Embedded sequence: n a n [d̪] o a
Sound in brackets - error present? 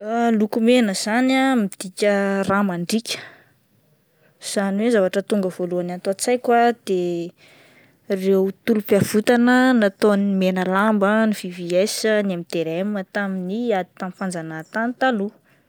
yes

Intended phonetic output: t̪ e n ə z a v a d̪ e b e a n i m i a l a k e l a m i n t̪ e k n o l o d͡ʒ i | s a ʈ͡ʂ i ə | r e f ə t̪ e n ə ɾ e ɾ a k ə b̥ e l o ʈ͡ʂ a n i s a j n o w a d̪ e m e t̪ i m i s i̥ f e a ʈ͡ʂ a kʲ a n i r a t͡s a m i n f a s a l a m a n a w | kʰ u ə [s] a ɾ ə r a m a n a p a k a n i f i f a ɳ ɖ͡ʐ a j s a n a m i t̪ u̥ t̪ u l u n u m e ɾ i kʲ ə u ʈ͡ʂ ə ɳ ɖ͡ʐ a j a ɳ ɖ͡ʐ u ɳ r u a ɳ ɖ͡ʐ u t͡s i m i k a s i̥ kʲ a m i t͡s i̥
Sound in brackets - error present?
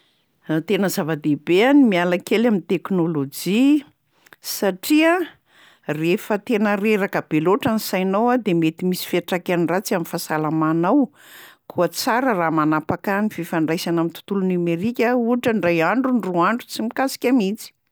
yes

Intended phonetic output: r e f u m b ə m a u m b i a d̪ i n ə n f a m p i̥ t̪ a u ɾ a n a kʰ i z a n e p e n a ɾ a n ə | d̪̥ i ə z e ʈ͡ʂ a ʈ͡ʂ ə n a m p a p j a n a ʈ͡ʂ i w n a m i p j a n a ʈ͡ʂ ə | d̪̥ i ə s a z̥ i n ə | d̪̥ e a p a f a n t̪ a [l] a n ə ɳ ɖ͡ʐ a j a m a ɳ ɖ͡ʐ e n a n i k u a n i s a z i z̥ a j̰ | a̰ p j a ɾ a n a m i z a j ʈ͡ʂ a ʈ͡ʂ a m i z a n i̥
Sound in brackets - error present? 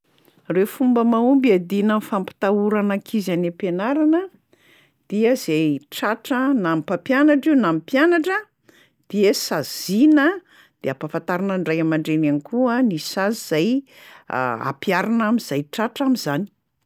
yes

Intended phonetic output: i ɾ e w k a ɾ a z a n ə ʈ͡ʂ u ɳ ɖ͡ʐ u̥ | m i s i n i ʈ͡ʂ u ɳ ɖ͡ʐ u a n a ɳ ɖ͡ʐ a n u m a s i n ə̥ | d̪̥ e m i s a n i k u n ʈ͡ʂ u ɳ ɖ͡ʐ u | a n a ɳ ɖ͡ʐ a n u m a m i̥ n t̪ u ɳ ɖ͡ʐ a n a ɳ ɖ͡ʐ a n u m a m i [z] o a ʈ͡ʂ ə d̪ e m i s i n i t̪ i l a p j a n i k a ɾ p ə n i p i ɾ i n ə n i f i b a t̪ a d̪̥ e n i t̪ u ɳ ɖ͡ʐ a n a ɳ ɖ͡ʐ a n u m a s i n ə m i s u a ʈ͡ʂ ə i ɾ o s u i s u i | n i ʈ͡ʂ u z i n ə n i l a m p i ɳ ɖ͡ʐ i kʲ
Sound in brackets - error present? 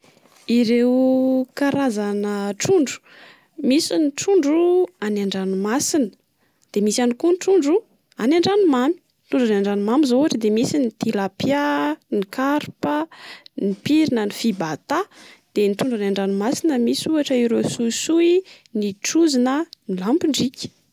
no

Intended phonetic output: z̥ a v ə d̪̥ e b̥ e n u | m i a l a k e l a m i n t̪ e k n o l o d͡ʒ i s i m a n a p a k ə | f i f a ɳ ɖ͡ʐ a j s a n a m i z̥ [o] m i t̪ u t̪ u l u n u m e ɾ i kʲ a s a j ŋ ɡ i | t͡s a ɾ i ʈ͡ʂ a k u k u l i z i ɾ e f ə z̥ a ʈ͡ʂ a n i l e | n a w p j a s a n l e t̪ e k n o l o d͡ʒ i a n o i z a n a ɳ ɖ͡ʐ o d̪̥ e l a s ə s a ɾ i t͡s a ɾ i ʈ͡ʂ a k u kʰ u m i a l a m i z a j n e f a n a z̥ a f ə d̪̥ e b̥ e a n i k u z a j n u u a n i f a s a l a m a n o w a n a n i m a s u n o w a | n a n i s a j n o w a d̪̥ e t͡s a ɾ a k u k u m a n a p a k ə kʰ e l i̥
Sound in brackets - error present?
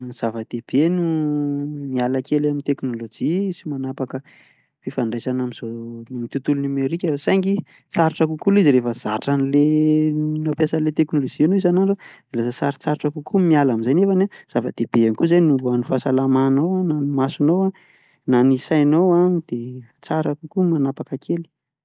no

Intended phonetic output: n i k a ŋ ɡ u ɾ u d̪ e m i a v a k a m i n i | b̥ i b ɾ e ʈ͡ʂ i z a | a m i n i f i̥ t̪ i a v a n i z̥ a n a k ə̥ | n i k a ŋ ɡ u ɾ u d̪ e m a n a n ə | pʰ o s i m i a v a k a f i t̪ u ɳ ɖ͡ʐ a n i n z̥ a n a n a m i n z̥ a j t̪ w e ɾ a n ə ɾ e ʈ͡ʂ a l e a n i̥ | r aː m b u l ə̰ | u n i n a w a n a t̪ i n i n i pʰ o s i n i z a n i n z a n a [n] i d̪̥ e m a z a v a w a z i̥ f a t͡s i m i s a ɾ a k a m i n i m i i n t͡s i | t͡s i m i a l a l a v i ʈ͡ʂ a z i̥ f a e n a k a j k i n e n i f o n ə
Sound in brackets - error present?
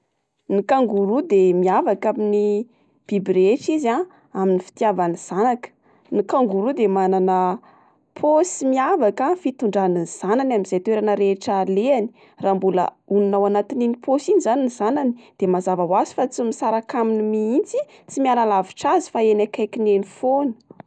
no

